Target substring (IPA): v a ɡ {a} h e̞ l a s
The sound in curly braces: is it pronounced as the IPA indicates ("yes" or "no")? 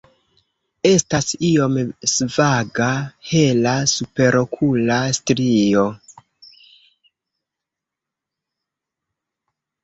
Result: yes